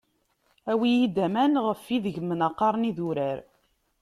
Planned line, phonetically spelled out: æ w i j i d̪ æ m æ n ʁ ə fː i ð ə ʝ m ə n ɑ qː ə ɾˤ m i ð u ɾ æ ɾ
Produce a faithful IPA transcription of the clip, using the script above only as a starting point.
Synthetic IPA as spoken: æ w i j i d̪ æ m æ n ʁ ə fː i ð ə ʝ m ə n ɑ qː ɑ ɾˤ n i ð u ɾ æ ɾ

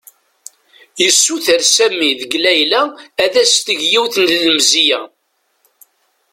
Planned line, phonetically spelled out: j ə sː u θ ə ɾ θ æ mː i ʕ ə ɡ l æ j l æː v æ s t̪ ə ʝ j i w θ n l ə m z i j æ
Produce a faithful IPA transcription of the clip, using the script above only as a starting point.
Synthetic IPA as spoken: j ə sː u θ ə ɾ s æ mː i ð ə ɡ l æ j l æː ð æ s t̪ ə ʝ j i w θ n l ə m z i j æ

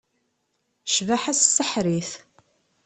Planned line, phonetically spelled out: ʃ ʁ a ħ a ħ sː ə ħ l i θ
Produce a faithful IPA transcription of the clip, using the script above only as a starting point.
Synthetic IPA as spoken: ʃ v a ħ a s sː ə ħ ɾ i θ

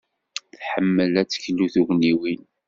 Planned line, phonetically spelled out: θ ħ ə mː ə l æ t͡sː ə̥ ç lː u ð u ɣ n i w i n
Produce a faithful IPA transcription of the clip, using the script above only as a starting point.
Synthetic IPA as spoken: θ ħ ə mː ə l æ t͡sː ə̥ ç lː u θ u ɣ n i w i n

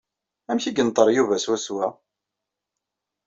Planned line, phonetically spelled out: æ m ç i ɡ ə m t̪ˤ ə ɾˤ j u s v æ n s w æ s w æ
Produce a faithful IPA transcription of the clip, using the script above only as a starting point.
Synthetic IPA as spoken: æ m ç i ɡ ə n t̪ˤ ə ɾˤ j u v æ s w æ s w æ

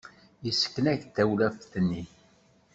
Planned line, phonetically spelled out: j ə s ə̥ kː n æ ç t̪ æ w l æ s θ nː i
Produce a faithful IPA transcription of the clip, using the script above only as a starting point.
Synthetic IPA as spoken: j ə s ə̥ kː n æ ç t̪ æ w l æ f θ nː i

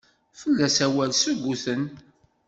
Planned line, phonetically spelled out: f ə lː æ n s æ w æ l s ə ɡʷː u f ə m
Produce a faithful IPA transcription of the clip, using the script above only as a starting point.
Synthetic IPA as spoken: f ə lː æ s æ w æ l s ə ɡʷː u θ ə n

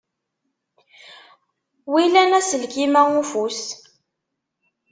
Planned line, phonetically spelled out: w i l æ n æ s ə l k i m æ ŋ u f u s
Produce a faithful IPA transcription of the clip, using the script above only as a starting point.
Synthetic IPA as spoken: w i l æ n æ s ə l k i m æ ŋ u f u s

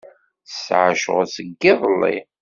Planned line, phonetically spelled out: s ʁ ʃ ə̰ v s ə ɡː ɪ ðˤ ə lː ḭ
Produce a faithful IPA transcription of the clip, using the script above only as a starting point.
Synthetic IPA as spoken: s ʕ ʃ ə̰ ʁ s ə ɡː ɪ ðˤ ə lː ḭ

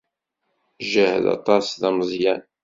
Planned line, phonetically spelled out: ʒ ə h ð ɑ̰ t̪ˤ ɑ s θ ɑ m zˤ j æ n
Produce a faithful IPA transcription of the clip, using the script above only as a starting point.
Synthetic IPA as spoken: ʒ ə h ð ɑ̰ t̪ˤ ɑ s ð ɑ m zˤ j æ n

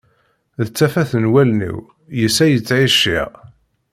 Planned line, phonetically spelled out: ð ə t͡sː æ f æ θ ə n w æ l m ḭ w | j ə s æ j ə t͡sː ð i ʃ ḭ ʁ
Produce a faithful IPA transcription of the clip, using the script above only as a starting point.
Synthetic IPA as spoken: ð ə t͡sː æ f æ θ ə n w æ l n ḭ w | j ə s æ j ə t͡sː ʕ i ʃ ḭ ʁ

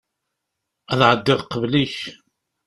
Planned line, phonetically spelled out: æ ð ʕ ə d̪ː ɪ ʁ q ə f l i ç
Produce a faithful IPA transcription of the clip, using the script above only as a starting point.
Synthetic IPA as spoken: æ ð ʕ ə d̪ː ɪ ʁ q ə v l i ç

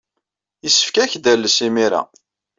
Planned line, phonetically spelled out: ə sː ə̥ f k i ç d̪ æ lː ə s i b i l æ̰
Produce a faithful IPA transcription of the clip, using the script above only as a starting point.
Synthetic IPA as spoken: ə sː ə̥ f k æ ç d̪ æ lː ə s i m i ɾ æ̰

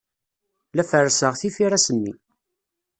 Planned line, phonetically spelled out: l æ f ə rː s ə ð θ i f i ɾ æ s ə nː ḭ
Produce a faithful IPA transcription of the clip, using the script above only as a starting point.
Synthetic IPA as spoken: l æ f ə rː s ə ʁ θ i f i ɾ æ s ə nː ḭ

